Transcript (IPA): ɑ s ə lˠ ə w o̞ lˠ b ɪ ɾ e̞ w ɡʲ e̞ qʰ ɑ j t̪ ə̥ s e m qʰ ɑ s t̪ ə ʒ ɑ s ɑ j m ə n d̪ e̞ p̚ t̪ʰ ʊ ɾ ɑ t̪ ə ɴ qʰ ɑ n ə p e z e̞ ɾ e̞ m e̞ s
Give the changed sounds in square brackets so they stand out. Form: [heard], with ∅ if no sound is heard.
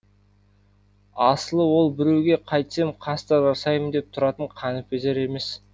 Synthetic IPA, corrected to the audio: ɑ s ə lˠ ə w o̞ lˠ b ɪ ɾ e̞ w ɡʲ e̞ qʰ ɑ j t̪ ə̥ s e m qʰ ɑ s t̪ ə ʒ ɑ s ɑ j m ə n d̪ e̞ p̚ t̪ʰ ʊ ɾ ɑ t̪ ə ɴ qʰ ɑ n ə p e z e̞ ɾ e̞ m e̞ s